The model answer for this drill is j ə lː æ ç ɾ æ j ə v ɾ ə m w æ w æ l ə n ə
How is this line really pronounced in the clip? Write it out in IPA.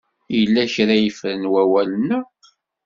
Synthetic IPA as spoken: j ə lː æ ç ɾ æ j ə f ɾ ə n w æ w æ l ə n ə